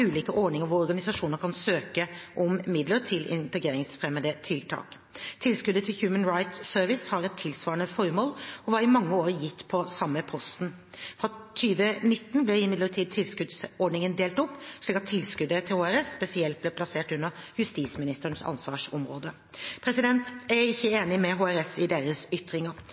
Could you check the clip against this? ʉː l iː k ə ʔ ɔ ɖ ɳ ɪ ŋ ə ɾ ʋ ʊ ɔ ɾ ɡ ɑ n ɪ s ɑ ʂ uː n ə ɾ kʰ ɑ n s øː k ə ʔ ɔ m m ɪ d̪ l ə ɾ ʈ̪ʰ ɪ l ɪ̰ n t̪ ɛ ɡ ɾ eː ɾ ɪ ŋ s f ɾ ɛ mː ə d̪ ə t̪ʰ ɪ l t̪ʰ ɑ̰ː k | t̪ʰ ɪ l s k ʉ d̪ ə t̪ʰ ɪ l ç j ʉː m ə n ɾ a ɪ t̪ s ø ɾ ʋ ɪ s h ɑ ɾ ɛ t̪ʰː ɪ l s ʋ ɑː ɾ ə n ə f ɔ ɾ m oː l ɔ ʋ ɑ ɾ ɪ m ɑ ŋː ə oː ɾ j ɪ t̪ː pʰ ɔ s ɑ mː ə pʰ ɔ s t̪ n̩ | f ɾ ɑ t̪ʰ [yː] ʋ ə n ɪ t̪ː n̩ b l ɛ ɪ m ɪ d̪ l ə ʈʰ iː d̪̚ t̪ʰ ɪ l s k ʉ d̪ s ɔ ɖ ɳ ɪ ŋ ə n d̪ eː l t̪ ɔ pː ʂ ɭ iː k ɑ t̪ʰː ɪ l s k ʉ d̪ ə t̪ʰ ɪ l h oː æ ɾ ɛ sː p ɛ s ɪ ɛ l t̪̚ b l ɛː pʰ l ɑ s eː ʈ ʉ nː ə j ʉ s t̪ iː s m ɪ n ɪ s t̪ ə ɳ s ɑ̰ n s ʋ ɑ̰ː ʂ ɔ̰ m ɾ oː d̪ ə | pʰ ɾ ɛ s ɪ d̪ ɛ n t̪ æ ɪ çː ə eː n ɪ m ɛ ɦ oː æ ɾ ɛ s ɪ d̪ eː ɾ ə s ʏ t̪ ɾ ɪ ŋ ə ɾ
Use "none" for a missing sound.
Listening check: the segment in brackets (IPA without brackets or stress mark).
yː